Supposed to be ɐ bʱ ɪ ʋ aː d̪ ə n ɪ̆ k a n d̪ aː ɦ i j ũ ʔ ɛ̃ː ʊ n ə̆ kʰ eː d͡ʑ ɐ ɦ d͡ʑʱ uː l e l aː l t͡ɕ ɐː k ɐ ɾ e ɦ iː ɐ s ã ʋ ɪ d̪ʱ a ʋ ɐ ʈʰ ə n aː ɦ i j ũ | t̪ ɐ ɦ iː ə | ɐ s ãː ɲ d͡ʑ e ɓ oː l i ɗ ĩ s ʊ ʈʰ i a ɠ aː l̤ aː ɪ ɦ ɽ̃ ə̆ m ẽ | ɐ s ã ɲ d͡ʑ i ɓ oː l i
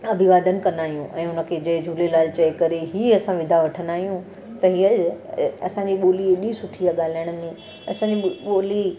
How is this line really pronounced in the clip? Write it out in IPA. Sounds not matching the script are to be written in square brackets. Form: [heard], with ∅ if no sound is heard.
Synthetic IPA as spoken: ɐ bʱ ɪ ʋ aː d̪ ə n ɪ̆ k [ɐ] n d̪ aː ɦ i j ũ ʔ ɛ̃ː ʊ n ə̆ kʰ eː d͡ʑ ɐ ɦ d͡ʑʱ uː l e l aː l t͡ɕ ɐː k ɐ ɾ e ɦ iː ɐ s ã ʋ ɪ d̪ʱ a ʋ ɐ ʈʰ ə n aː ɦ i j ũ | t̪ ɐ ɦ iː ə | ɐ s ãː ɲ d͡ʑ [i] ɓ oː l i ɗ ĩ s ʊ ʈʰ i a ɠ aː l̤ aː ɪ [∅] ɽ̃ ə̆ m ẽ | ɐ s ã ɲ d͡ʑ i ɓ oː l i